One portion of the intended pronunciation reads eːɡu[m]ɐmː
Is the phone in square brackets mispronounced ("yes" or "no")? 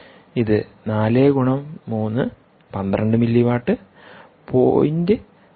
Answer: yes